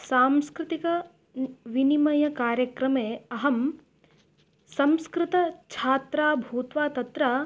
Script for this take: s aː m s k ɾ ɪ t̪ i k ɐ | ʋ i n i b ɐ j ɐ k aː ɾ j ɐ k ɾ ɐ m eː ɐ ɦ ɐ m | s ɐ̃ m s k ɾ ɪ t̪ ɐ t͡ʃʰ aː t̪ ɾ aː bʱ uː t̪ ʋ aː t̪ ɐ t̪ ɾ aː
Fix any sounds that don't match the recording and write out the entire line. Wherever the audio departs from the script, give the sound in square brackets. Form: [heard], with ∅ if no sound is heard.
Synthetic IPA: s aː m s k ɾ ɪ t̪ i k ɐ | ʋ i n i [m] ɐ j ɐ k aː ɾ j ɐ k ɾ ɐ m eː ɐ ɦ ɐ m | s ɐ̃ m s k ɾ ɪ t̪ ɐ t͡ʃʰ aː t̪ ɾ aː bʱ uː t̪ ʋ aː t̪ ɐ t̪ ɾ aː